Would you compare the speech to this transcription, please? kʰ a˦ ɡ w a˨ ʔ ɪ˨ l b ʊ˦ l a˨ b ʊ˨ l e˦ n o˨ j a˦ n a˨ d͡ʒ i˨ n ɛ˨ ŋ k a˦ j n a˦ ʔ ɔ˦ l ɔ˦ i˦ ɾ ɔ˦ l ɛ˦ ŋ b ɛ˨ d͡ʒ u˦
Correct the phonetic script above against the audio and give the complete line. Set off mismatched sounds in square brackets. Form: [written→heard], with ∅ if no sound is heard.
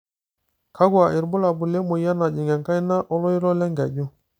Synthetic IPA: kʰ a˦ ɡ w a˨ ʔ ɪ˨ [l→ɾ] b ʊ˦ l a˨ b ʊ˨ l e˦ [n→m] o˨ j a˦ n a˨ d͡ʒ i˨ [n→ŋ] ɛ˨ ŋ k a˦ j n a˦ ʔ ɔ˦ l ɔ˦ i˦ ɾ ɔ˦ l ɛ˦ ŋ [b→ɡ] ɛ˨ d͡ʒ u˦